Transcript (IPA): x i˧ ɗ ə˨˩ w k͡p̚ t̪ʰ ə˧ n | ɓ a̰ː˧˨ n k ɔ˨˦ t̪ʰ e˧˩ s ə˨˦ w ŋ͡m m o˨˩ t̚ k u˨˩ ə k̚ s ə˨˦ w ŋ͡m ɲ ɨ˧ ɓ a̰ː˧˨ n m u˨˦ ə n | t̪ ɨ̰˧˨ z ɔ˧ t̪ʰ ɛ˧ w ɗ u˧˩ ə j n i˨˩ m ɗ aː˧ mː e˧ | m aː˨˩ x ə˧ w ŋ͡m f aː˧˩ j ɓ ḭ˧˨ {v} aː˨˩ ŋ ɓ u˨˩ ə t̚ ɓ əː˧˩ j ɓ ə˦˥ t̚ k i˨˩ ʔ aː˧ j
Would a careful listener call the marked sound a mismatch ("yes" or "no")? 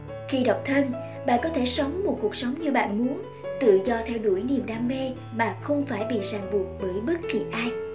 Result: yes